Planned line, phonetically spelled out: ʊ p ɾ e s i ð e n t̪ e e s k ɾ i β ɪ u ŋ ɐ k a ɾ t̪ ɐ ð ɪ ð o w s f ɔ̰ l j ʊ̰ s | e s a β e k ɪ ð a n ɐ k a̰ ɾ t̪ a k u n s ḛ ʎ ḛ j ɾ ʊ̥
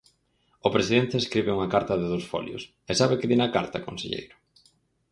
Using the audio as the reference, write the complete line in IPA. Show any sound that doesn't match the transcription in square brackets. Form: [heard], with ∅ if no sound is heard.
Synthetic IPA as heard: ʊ p ɾ e s i ð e n t̪ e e s k ɾ i β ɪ u ŋ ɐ k a ɾ t̪ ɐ ð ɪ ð o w s f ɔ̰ l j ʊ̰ s | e s a β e k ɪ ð [i] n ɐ k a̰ ɾ t̪ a k [o] n s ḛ ʎ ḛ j ɾ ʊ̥

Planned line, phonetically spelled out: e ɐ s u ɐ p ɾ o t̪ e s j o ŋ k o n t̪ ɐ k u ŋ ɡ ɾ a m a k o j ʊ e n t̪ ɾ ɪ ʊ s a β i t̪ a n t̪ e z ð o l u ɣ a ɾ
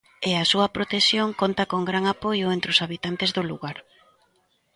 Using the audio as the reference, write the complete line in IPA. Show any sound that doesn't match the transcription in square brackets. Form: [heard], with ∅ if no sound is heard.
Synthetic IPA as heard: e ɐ s u ɐ p ɾ o t̪ e s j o ŋ k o n t̪ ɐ k [o] ŋ ɡ ɾ a [ŋ] a [p] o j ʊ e n t̪ ɾ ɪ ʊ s a β i t̪ a n t̪ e z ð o l u ɣ a ɾ

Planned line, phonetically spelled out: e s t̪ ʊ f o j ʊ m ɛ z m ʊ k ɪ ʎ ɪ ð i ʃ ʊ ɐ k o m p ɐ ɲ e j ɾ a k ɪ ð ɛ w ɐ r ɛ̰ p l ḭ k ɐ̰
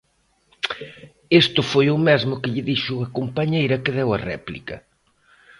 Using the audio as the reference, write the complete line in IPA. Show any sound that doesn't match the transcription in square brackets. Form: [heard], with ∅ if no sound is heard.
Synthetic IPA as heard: e s t̪ ʊ f o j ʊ m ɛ z m ʊ k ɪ ʎ ɪ ð i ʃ ʊ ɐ k o m p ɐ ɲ e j ɾ [ɐ] k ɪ ð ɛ w ɐ r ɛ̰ p l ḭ k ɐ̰

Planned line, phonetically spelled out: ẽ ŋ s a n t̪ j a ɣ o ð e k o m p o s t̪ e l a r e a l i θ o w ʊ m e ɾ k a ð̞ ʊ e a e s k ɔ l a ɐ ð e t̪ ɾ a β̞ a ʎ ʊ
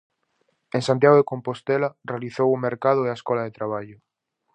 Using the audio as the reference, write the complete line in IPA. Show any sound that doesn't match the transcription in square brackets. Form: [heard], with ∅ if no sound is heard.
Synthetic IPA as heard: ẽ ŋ s a n t̪ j a ɣ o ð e k o m p o s t̪ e l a r e a l i θ o w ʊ m e ɾ k a ð̞ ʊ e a e s k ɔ l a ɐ ð e t̪ ɾ a β̞ a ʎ ʊ

